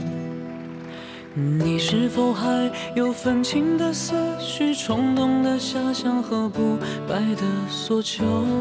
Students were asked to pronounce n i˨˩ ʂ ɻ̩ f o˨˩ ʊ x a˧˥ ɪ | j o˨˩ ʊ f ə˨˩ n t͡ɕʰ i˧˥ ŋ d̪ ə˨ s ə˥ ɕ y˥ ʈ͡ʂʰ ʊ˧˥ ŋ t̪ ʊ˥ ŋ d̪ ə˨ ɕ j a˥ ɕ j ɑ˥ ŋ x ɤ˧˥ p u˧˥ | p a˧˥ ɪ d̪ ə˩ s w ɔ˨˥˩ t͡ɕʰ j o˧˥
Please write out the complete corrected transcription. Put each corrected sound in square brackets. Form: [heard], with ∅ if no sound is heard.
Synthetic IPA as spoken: n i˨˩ ʂ ɻ̩ f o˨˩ ʊ x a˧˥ ɪ | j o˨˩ ʊ f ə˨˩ n t͡ɕʰ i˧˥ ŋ d̪ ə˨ s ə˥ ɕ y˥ ʈ͡ʂʰ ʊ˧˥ ŋ t̪ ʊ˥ ŋ d̪ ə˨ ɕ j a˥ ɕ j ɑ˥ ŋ x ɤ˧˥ p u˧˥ | p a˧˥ ɪ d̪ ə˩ s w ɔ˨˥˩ t͡ɕʰ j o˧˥